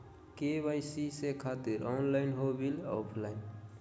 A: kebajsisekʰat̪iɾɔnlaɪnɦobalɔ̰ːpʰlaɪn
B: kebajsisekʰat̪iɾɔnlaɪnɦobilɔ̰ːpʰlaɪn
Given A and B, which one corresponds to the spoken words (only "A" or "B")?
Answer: B